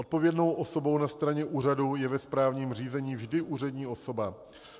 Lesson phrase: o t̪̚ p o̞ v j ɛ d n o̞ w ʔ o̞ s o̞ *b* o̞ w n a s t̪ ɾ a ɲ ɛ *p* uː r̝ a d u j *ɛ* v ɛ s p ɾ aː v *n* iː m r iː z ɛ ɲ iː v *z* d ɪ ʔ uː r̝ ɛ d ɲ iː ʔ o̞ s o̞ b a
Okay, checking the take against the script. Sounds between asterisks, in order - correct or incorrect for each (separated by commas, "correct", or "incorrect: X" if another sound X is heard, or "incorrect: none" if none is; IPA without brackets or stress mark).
correct, incorrect: ʔ, correct, incorrect: ɲ, incorrect: ʒ